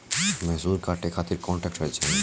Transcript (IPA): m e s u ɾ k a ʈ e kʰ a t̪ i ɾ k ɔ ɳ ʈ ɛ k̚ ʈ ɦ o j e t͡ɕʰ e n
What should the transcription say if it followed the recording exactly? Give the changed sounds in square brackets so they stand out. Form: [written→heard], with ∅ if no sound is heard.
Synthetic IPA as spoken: m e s u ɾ k a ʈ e kʰ a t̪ i ɾ k ɔ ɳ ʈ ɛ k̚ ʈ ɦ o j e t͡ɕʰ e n